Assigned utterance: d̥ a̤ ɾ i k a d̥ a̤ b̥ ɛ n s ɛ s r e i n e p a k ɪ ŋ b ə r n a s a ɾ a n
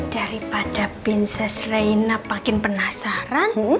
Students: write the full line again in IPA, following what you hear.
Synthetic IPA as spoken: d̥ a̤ ɾ i p a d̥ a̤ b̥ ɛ n s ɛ s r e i n a p a k ɪ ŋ p ə n a s a ɾ a n